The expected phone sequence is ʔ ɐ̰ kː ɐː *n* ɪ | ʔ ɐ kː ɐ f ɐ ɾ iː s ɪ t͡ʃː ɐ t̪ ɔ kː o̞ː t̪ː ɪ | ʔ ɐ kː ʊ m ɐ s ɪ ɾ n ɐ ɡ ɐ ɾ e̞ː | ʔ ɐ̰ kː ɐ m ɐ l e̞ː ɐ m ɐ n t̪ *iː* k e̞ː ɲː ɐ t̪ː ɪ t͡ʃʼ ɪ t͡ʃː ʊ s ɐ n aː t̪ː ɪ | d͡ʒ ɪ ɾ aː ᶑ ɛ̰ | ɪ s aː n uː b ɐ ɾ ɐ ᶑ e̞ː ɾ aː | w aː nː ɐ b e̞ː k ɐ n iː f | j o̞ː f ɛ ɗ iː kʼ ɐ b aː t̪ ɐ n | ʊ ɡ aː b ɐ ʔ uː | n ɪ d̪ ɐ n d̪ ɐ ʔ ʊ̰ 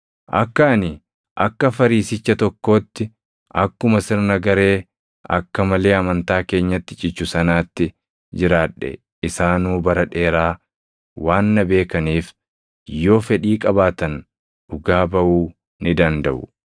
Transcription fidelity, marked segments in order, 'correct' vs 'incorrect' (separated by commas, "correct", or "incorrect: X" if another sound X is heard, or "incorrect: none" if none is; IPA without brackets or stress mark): correct, incorrect: aː